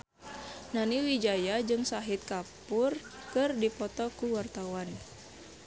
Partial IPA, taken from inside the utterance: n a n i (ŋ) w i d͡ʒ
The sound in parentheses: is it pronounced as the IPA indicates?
no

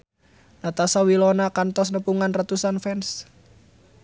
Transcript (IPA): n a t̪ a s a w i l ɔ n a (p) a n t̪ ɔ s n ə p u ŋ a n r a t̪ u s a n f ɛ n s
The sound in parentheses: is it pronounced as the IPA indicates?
no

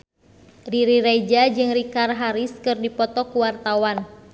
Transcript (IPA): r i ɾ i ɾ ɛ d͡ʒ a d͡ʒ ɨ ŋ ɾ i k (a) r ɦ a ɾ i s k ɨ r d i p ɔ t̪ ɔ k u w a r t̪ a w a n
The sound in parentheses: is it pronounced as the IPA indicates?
yes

